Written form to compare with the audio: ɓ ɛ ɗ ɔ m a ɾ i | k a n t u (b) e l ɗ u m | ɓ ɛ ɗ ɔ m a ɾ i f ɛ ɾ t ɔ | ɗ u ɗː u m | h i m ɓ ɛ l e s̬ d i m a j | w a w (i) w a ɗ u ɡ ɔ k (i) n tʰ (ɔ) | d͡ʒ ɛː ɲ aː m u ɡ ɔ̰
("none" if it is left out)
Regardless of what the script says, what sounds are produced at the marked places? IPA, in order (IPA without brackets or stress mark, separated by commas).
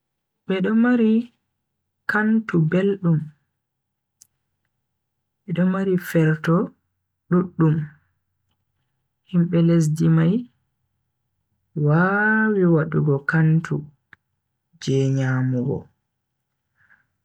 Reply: b, i, a, u